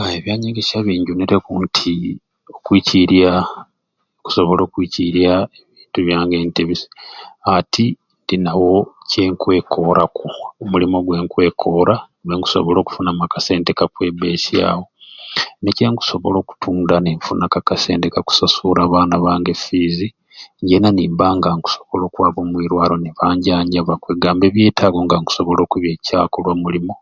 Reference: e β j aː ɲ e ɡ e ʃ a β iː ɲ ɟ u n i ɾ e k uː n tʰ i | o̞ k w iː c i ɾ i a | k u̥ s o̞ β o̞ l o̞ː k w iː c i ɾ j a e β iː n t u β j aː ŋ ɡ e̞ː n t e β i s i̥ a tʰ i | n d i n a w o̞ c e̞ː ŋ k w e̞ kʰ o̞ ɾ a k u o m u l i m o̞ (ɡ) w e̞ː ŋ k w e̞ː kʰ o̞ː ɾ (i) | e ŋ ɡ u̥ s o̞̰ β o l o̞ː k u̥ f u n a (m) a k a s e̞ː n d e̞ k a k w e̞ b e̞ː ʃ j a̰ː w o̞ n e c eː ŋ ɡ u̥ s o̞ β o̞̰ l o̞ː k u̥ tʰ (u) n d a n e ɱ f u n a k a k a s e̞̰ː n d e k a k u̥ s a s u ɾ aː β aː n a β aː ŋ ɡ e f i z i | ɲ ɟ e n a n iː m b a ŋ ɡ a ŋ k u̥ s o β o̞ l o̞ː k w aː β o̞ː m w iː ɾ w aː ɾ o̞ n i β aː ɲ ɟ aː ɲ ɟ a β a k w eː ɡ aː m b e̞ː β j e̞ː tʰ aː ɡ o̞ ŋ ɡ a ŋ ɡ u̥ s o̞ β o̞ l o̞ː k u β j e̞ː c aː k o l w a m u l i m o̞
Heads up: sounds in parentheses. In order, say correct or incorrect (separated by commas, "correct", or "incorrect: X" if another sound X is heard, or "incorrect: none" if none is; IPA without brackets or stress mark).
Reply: correct, incorrect: a, correct, incorrect: uː